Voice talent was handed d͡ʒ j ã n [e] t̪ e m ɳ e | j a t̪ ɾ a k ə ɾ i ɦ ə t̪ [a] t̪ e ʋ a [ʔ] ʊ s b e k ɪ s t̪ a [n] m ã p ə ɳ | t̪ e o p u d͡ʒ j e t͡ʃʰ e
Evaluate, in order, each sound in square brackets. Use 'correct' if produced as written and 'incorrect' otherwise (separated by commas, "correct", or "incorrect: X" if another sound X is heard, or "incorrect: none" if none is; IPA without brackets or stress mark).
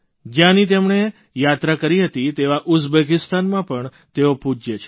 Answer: incorrect: i, incorrect: i, correct, correct